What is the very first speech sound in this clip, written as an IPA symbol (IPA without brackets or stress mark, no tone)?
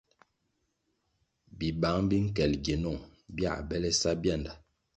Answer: b